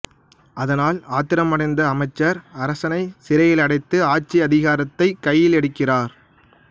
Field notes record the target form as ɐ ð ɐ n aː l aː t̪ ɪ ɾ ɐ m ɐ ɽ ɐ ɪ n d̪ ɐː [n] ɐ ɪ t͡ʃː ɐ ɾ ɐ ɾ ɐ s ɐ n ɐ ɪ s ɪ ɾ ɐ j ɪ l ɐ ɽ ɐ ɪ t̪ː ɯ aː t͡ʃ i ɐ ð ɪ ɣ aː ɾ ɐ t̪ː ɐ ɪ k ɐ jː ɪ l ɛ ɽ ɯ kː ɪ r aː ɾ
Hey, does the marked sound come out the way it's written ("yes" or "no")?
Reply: no